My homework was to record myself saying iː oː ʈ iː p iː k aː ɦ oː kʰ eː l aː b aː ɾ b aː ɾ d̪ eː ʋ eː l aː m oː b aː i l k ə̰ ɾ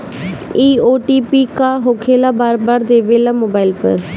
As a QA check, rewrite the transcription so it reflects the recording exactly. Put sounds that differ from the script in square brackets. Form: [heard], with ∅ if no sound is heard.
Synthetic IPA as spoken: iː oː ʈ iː p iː k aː ɦ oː kʰ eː l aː b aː ɾ b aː ɾ d̪ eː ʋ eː l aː m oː b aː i l [p] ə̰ ɾ